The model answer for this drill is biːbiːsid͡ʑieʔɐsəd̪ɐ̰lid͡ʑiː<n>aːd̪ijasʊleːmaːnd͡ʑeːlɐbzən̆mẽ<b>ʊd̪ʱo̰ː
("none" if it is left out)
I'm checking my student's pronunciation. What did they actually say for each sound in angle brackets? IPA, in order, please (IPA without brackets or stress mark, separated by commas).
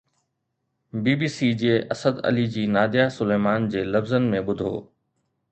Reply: n, ɓ